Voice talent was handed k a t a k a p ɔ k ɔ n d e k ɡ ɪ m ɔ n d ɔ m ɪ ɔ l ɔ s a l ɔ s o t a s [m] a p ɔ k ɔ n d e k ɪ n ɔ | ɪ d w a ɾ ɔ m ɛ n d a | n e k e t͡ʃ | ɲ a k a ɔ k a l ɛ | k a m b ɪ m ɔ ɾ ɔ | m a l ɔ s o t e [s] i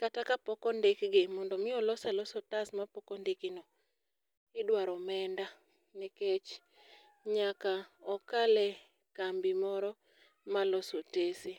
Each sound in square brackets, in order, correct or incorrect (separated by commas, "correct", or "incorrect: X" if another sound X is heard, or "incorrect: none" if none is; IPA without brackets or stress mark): correct, correct